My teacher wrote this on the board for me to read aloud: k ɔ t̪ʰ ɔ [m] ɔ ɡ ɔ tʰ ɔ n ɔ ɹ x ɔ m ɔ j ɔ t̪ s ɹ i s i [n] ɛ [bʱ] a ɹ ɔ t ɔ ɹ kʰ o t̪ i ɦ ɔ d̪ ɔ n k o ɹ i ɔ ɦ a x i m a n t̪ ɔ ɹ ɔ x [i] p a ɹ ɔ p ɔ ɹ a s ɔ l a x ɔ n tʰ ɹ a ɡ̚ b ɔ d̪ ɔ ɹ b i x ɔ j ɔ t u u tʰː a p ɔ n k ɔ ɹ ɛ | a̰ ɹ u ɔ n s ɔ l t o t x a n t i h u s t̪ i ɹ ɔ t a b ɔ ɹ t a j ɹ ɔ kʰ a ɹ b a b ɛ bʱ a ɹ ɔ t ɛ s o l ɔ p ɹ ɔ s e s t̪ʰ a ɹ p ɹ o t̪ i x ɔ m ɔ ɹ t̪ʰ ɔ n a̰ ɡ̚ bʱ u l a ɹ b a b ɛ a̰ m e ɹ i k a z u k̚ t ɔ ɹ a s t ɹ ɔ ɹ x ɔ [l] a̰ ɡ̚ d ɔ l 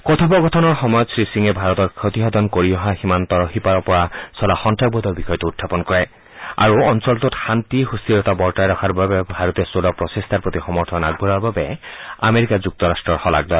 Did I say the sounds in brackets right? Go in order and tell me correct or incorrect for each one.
incorrect: b, incorrect: ŋ, correct, correct, correct

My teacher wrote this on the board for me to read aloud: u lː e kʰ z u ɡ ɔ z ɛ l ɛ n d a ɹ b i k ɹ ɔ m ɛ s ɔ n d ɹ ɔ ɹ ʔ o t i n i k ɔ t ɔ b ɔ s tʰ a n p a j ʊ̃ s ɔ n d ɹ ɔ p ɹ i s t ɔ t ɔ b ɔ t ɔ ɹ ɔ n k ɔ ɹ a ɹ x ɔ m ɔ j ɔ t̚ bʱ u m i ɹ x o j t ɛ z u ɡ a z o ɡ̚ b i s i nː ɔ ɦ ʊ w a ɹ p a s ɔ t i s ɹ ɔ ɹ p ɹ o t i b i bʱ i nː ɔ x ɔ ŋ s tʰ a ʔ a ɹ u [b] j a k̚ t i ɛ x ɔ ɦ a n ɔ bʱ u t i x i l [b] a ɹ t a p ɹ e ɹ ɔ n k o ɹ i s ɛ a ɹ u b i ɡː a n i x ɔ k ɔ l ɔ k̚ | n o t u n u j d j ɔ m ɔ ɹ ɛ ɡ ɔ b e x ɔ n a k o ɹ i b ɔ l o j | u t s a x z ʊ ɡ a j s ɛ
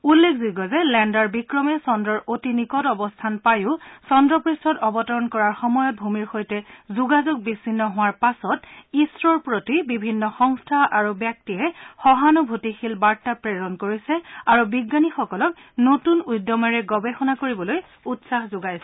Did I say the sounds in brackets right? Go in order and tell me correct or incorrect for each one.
correct, correct

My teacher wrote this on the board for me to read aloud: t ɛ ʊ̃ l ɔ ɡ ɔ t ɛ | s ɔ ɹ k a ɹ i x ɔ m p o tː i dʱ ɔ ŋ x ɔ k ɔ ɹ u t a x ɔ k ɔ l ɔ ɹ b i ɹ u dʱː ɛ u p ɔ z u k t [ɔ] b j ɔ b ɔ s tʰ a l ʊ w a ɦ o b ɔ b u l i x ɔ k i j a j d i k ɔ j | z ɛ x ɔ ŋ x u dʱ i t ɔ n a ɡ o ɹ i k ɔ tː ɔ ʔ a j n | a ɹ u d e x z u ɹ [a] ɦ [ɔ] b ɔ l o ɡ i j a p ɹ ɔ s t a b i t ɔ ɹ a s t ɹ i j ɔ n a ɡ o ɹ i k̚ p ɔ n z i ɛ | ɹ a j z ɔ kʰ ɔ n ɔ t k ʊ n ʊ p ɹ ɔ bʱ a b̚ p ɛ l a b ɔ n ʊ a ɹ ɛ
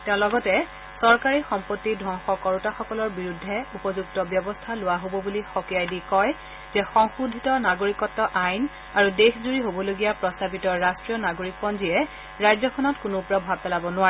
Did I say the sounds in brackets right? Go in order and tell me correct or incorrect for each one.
correct, incorrect: i, incorrect: o

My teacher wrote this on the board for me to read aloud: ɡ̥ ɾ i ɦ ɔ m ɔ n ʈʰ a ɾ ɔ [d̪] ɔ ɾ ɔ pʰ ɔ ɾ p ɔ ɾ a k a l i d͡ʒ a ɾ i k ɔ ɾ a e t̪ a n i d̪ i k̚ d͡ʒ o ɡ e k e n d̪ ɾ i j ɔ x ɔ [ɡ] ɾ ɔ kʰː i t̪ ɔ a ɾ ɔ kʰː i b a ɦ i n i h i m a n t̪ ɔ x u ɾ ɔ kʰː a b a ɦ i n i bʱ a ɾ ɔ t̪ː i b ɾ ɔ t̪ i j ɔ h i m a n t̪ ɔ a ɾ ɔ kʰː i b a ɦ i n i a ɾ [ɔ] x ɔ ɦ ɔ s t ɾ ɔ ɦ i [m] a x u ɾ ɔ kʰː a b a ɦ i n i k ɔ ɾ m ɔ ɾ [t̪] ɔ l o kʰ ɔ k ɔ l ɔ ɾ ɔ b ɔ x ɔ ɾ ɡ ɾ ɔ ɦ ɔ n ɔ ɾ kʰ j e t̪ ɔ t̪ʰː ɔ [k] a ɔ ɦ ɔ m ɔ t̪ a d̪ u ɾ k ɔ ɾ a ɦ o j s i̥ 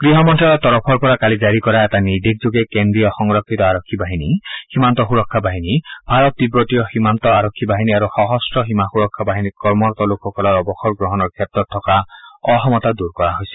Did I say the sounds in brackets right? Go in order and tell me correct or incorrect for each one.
incorrect: t̪, incorrect: ŋ, incorrect: u, correct, correct, correct

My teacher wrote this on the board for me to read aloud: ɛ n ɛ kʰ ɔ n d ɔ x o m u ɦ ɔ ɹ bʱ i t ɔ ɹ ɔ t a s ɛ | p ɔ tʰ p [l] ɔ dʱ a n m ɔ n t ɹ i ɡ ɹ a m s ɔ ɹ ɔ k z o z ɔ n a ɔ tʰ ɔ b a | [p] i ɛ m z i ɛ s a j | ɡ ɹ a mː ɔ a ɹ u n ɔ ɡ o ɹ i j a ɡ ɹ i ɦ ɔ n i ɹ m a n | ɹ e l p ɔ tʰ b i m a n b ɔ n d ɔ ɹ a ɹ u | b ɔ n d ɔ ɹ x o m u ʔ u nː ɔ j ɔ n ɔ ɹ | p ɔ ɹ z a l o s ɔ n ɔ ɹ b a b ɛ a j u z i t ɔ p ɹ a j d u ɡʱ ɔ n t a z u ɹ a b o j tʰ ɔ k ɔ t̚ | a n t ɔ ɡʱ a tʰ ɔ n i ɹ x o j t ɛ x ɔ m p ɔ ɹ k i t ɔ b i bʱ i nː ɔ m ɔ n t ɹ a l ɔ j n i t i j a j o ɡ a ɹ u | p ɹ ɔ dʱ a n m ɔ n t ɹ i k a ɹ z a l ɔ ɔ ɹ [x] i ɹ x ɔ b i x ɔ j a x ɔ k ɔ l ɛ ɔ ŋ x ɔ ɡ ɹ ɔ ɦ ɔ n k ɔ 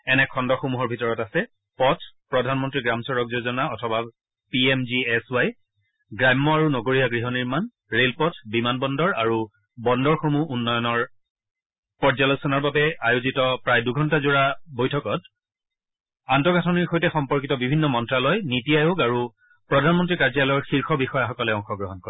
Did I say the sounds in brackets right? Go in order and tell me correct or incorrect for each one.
incorrect: ɹ, correct, correct

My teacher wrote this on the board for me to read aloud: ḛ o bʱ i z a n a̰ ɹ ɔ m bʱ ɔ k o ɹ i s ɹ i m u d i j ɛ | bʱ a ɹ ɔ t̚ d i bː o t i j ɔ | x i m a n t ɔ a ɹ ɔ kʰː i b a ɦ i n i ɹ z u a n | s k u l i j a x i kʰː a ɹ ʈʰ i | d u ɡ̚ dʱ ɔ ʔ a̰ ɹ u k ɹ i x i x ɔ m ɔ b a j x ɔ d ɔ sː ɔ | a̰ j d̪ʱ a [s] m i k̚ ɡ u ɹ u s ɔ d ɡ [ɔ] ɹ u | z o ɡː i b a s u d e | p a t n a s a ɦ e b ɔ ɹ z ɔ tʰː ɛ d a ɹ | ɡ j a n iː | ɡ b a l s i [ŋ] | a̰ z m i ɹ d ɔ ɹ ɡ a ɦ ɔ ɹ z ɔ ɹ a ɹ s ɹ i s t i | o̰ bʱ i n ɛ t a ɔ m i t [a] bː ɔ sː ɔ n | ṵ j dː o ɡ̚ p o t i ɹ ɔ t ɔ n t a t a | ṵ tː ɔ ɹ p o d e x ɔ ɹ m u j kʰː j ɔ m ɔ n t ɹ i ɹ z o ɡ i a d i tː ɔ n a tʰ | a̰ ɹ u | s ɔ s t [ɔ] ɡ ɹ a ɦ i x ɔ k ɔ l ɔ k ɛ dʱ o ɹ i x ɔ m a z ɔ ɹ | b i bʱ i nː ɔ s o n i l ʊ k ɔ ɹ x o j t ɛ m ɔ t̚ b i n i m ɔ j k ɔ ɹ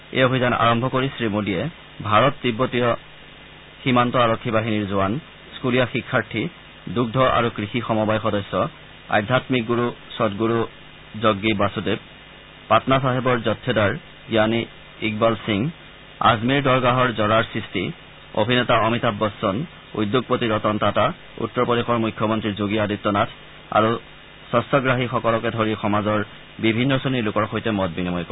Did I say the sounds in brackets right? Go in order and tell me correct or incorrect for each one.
incorrect: t, incorrect: u, correct, correct, correct

